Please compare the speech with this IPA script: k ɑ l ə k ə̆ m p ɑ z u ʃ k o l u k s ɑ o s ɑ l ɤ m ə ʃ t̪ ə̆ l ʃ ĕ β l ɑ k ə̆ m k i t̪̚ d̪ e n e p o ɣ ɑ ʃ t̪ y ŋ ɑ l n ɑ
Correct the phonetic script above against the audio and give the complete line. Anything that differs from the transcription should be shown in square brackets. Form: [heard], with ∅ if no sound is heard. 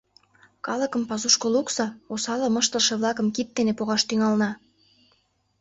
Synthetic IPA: k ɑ l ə k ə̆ m p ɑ z u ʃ k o l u k s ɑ o s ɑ l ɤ m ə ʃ t̪ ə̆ l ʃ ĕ β l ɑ k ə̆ m k i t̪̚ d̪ e n e p o ɣ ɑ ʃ t̪ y ŋ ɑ l n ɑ